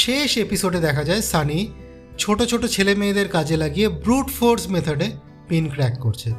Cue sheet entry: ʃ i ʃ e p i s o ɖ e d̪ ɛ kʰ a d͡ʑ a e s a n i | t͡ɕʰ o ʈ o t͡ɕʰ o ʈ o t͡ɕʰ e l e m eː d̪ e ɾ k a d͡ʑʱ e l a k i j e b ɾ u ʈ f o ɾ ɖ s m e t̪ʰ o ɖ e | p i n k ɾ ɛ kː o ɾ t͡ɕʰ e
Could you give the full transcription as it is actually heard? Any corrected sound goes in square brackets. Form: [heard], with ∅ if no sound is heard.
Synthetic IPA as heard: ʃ [e] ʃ e p i s o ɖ e d̪ ɛ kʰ a d͡ʑ a e s a n i | t͡ɕʰ o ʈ o t͡ɕʰ o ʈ o t͡ɕʰ e l e m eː d̪ e ɾ k a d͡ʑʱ e l a [ɡ] i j e b ɾ u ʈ f o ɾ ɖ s m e t̪ʰ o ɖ e | p i n k ɾ ɛ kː o ɾ t͡ɕʰ e